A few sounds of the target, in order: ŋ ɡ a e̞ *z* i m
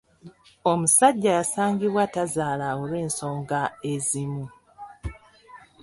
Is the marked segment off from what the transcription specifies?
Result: no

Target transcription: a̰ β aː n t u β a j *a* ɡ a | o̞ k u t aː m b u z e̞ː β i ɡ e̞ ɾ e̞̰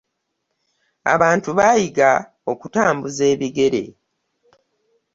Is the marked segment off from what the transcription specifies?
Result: yes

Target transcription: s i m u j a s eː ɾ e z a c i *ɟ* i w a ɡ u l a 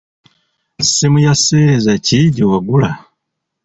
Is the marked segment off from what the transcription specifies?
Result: no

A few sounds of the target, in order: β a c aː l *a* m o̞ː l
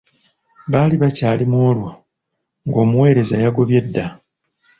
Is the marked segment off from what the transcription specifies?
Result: yes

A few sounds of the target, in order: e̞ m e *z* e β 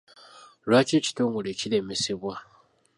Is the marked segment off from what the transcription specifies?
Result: yes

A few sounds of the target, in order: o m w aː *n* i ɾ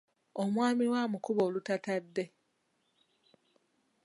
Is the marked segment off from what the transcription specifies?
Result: yes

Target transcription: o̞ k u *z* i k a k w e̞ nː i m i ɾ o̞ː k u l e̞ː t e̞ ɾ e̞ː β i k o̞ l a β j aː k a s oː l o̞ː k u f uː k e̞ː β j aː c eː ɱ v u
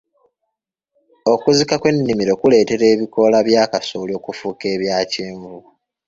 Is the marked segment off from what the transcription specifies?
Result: no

